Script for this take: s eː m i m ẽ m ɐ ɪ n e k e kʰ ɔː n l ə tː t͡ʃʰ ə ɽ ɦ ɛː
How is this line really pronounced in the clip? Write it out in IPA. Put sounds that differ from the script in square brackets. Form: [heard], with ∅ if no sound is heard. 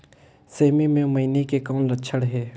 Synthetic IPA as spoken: s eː m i m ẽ m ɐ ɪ n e k e [k] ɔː n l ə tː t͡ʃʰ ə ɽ ɦ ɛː